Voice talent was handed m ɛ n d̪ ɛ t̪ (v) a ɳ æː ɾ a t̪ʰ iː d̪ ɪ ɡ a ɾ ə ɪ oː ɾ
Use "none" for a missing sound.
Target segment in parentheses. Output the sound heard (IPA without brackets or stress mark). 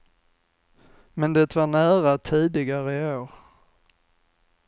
v